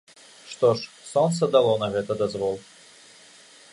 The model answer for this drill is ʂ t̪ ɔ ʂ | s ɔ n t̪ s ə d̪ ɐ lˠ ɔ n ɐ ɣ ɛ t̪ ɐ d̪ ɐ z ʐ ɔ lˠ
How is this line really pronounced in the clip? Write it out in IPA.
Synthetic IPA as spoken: ʂ t̪ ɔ ʂ | s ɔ n t̪ s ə d̪ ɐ lˠ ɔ n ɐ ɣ ɛ t̪ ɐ d̪ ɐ z v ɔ lˠ

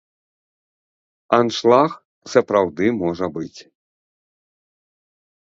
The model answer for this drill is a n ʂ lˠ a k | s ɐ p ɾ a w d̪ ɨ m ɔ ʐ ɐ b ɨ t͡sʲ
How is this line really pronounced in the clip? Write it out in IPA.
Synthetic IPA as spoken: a n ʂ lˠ a x | s ɐ p ɾ a w d̪ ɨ m ɔ ʐ ɐ b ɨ t͡sʲ

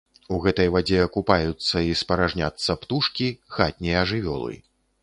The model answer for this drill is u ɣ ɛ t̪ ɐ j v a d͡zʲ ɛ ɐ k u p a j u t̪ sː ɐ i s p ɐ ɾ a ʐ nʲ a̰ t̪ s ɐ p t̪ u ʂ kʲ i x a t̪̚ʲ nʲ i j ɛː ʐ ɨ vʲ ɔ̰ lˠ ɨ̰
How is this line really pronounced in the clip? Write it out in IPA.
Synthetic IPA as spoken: u ɣ ɛ t̪ ɐ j v a d͡zʲ ɛ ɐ k u p a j u t̪ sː ɐ i s p ɐ ɾ a ʐ nʲ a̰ t̪ sː ɐ p t̪ u ʂ kʲ i x a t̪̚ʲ nʲ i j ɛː ʐ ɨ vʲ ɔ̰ lˠ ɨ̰

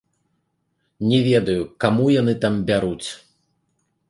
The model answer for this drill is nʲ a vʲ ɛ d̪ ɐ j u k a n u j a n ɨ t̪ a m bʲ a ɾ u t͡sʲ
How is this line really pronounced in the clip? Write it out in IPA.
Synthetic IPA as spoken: nʲ ɛ vʲ ɛ d̪ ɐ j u k a m u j a n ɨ t̪ a m bʲ a ɾ u t͡sʲ

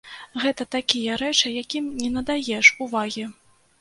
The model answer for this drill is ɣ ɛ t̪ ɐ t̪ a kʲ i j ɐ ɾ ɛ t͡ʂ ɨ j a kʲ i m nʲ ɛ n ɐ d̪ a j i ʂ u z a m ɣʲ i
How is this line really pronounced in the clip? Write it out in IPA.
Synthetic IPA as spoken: ɣ ɛ t̪ ɐ t̪ a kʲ i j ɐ ɾ ɛ t͡ʂ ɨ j a kʲ i m nʲ ɛ n ɐ d̪ a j ɛ ʂ u v a ɣʲ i

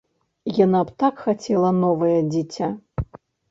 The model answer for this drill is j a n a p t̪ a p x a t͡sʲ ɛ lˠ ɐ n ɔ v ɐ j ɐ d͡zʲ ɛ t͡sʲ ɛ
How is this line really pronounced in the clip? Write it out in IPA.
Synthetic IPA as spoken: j a n a p t̪ a k x a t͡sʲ ɛ lˠ ɐ n ɔ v ɐ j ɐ d͡zʲ i t͡sʲ a

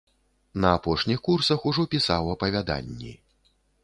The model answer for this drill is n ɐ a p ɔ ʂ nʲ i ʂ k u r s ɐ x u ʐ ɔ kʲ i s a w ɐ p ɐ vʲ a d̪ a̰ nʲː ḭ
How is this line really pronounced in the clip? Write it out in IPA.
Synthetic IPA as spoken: n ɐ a p ɔ ʂ nʲ i x k u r s ɐ x u ʐ ɔ pʲ i s a w ɐ p ɐ vʲ a d̪ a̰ nʲː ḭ

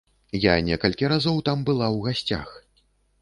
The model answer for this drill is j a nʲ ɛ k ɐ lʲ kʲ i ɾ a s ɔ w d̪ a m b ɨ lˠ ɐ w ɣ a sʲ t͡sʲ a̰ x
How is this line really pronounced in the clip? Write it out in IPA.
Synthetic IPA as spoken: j a nʲ ɛ k ɐ lʲ kʲ i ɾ a z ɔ w t̪ a m b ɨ lˠ a w ɣ a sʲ t͡sʲ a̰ x

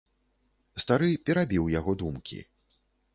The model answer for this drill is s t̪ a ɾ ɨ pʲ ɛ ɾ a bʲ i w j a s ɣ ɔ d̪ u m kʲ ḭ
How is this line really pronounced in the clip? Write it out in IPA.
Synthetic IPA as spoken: s t̪ a ɾ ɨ pʲ ɛ ɾ a bʲ i w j a ɣ ɔ d̪ u m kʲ ḭ

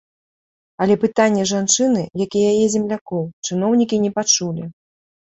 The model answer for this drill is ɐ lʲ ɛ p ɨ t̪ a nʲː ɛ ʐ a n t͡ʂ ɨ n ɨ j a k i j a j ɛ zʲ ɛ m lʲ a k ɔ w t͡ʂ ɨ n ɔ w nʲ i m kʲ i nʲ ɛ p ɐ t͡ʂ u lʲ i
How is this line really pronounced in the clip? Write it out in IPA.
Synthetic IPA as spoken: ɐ lʲ ɛ p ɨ t̪ a nʲː ɛ ʐ a n t͡ʂ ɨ n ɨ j a k i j a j ɛ zʲ ɛ m lʲ a k ɔ w t͡ʂ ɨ n ɔ w nʲ i kʲ i nʲ ɛ p a t͡ʂ u lʲ i

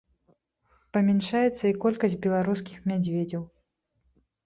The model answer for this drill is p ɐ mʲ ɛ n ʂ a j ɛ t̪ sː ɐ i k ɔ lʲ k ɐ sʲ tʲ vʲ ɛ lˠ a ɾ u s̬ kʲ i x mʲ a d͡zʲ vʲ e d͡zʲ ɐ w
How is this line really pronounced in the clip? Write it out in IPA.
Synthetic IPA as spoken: p ɐ mʲ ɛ n ʂ a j ɛ t̪ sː ɐ i k ɔ lʲ k ɐ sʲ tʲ bʲ ɛ lˠ a ɾ u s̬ kʲ i x mʲ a d͡zʲ vʲ e d͡zʲ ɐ w

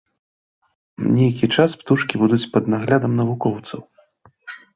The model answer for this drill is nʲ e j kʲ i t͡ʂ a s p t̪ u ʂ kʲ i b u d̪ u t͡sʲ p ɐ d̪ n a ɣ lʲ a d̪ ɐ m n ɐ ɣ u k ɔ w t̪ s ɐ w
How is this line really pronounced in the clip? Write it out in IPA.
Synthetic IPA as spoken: nʲ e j kʲ i t͡ʂ a s p t̪ u ʂ kʲ i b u d̪ u t͡sʲ p ɐ d̪ n a ɣ lʲ a d̪ ɐ m n ɐ v u k ɔ w t̪ s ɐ w

